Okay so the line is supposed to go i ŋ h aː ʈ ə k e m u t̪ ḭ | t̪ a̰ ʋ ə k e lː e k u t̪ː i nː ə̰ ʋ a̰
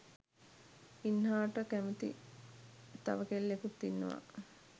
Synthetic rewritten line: i n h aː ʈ ə k æ m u t̪ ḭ | t̪ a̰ ʋ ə k e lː e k u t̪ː i nː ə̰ ʋ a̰